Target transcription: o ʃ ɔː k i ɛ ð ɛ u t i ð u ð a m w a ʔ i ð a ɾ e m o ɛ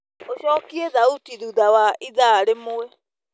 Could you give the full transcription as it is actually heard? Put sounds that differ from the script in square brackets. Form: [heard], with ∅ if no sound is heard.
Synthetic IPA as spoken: o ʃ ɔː k i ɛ ð [a] u t i ð u ð a [∅] w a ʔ i ð a ɾ e m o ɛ